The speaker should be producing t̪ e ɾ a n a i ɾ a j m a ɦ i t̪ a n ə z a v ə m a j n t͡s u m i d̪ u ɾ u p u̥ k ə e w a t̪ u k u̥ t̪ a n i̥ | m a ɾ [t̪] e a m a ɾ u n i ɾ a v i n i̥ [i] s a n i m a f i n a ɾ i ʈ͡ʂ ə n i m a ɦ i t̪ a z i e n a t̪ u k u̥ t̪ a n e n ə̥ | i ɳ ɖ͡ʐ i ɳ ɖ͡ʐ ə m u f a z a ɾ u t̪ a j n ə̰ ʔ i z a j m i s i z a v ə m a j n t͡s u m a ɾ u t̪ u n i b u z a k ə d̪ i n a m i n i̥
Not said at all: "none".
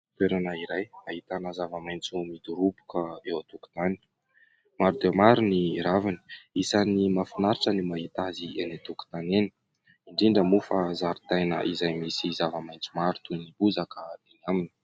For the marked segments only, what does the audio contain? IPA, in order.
d̪, i

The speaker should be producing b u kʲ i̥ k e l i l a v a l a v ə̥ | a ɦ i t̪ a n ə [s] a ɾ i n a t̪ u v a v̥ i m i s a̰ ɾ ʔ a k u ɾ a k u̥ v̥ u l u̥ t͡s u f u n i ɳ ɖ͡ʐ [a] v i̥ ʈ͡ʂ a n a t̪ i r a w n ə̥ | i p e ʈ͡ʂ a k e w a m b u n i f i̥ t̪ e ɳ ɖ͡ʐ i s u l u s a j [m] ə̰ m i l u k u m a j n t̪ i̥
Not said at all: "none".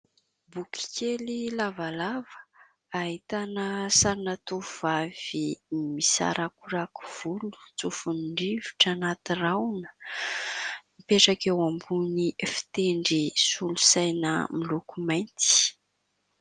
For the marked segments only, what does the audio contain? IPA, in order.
s, i, n

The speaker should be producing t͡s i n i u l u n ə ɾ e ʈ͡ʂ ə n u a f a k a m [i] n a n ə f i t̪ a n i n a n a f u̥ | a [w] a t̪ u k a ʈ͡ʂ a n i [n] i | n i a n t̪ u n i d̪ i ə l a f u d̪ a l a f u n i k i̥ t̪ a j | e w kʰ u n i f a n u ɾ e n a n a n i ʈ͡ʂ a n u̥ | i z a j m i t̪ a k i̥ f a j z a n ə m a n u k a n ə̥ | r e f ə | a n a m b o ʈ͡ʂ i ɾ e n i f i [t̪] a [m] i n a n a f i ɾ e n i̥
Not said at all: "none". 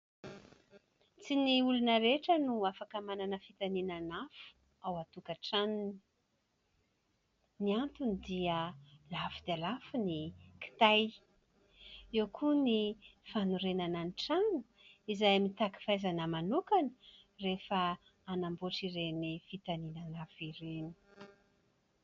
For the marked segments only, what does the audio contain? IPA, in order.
a, w, n, t̪, n

